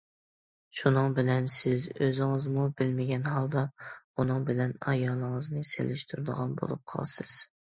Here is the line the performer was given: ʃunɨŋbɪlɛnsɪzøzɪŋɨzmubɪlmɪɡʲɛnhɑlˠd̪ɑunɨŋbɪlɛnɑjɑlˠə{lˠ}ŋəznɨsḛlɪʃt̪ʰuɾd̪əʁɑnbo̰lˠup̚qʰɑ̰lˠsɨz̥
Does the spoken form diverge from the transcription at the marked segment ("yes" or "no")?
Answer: yes